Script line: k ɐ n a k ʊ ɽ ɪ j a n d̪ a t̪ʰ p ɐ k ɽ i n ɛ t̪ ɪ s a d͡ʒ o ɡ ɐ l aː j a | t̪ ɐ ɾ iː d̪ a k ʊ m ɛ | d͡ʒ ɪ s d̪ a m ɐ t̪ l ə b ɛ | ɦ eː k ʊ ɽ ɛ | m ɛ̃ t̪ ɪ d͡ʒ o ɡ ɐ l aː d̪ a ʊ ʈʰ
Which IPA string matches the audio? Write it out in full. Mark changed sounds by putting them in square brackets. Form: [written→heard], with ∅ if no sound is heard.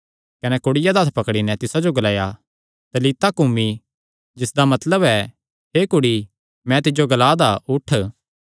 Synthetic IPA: k ɐ n [a→ɛ] k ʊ ɽ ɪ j a [n→∅] d̪ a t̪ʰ p ɐ k ɽ i n ɛ t̪ ɪ s a d͡ʒ o ɡ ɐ l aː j a | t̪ ɐ [ɾ→l] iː [d̪→t̪] a k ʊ m [ɛ→i] | d͡ʒ ɪ s d̪ a m ɐ t̪ l ə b ɛ | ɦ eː k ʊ ɽ [ɛ→i] | m ɛ̃ t̪ ɪ d͡ʒ o ɡ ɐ l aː d̪ a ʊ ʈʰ